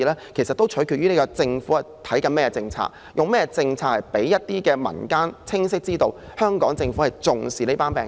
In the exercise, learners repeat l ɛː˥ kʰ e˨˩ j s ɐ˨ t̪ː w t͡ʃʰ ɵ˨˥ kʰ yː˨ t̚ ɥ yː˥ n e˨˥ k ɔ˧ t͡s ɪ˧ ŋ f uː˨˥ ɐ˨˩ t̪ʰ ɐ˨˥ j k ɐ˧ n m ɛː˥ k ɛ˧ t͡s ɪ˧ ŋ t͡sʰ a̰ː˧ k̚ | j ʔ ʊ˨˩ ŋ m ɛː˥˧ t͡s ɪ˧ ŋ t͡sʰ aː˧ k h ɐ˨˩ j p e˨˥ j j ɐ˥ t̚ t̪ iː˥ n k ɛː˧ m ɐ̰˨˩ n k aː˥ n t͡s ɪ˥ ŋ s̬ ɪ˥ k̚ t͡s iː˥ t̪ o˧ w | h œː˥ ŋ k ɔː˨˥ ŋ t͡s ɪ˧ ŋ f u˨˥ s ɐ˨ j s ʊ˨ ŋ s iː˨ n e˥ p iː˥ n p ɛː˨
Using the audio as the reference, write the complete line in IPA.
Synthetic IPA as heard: l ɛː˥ kʰ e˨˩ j s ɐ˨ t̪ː w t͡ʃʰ ɵ˨˥ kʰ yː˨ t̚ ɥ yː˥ n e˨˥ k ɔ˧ t͡s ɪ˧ ŋ f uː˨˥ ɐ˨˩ t̪ʰ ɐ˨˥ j k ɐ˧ n m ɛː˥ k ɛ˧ t͡s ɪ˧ ŋ t͡sʰ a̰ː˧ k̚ | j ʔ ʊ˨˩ ŋ m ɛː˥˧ t͡s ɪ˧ ŋ t͡sʰ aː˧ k h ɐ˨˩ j p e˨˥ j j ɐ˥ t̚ t̪ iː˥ k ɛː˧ m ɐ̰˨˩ n k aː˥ n t͡sʰ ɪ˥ ŋ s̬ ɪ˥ k̚ t͡s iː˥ t̪ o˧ w | h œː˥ ŋ k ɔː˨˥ ŋ t͡s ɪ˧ ŋ f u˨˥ h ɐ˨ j t͡s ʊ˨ ŋ s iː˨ n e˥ p aː˥ n p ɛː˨